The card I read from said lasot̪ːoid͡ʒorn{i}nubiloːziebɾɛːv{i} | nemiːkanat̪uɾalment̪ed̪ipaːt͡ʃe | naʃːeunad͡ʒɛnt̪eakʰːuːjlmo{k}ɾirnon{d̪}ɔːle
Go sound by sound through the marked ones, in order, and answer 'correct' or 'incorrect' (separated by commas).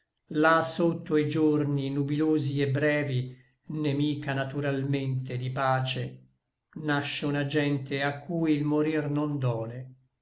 correct, correct, incorrect, correct